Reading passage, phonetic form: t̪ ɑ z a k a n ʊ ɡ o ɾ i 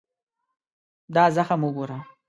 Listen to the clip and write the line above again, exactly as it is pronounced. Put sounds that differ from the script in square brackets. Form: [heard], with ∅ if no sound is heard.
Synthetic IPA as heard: [d̪] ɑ z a [x] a [m] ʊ ɡ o ɾ [a]